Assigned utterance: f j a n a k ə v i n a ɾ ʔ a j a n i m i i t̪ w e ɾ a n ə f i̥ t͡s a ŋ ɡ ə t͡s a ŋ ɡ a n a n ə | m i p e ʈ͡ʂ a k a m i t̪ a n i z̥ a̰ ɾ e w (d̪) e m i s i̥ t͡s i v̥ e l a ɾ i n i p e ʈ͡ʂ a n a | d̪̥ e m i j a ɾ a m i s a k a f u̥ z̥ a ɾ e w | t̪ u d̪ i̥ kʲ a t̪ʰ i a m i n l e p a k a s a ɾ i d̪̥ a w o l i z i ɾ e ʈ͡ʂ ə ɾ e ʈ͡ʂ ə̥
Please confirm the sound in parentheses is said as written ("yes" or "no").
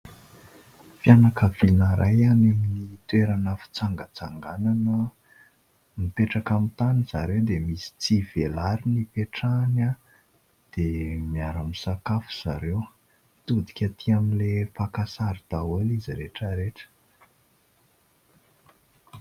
yes